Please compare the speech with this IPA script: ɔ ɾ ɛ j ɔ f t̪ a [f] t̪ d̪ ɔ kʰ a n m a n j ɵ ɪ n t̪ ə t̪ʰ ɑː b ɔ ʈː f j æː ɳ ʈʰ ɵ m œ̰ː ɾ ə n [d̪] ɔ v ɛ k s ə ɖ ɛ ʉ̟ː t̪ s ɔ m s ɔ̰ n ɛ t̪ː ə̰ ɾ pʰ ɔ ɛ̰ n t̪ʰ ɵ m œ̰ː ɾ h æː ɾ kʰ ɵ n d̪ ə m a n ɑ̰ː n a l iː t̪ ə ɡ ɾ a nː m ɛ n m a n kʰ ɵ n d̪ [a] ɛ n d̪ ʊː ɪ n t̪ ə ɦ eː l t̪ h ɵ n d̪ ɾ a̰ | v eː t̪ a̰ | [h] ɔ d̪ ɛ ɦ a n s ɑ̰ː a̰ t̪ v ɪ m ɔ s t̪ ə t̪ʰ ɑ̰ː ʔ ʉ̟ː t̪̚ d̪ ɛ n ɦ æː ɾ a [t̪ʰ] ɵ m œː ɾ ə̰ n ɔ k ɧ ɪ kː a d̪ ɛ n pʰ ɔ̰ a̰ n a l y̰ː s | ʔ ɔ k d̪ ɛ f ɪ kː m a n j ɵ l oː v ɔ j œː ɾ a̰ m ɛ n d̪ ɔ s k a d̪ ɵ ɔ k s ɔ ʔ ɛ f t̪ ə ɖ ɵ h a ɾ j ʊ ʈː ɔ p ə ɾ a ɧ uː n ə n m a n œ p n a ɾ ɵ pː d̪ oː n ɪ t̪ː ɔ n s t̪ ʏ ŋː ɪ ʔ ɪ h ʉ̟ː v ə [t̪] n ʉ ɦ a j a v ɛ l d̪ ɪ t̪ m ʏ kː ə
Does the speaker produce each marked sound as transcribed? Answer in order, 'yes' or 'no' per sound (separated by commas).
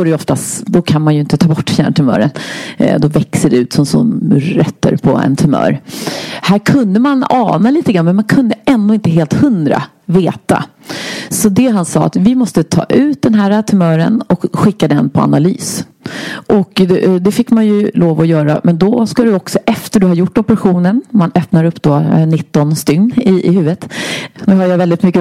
no, yes, no, no, yes, yes